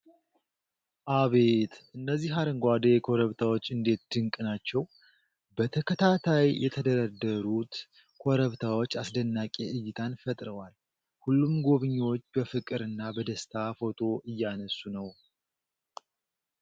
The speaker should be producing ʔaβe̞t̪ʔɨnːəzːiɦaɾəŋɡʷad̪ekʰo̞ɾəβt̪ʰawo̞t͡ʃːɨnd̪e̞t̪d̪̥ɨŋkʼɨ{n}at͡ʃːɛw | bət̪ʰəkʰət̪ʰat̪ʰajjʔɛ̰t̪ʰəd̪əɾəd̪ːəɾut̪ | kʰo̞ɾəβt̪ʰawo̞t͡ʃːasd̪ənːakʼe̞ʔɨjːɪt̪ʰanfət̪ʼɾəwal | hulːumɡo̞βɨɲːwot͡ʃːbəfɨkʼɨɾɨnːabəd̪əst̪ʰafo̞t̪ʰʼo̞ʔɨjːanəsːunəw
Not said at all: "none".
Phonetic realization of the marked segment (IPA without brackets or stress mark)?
n